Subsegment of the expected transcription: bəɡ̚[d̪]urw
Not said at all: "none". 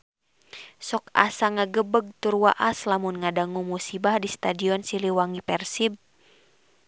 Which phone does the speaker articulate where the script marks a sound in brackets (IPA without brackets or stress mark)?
t̪